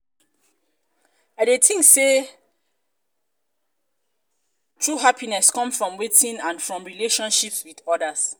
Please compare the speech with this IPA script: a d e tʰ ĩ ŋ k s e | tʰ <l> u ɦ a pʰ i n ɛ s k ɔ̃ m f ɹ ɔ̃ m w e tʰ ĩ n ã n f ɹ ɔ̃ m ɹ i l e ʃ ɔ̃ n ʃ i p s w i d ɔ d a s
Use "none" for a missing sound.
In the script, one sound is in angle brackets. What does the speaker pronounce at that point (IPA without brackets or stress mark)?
ɹ